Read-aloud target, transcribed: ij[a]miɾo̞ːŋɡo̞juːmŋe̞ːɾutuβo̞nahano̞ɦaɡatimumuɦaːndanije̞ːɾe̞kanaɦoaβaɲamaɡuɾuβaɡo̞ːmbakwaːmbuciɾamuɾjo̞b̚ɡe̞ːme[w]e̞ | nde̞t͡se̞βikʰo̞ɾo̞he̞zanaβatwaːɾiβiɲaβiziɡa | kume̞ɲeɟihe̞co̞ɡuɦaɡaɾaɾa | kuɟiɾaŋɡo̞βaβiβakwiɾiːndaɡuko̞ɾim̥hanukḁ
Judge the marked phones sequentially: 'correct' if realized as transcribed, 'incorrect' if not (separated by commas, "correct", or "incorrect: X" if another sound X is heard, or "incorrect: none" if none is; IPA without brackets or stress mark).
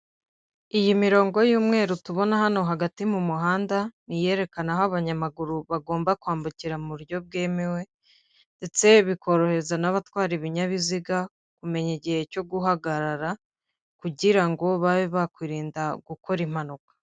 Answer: incorrect: i, correct